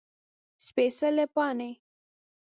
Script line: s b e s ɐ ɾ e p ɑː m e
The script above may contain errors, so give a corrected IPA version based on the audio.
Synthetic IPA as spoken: s p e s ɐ l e p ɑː n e